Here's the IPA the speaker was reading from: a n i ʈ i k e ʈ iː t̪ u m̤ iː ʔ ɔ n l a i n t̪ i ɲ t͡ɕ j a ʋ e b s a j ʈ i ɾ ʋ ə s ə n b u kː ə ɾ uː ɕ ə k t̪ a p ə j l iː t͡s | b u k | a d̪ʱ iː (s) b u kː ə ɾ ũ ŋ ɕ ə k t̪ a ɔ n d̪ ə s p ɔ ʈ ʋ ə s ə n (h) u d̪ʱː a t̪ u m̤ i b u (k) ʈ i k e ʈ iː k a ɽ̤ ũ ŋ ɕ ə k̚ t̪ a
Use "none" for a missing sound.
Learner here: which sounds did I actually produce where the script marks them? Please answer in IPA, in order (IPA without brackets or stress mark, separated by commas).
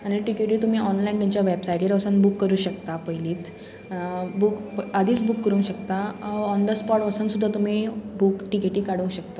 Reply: t͡s, s, k